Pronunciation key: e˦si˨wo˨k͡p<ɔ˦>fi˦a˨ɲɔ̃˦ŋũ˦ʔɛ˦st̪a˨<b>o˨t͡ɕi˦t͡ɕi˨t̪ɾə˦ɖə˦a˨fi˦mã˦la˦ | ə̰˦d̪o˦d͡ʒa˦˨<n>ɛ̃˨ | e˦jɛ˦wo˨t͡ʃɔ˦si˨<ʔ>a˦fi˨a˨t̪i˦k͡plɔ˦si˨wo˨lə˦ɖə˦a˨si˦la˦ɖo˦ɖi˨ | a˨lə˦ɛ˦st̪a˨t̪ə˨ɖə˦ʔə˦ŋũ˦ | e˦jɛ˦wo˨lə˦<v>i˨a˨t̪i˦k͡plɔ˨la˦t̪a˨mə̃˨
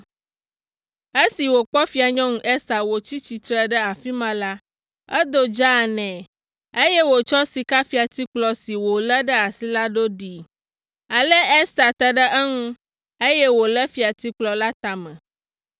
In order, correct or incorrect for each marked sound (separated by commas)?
correct, incorrect, correct, incorrect, incorrect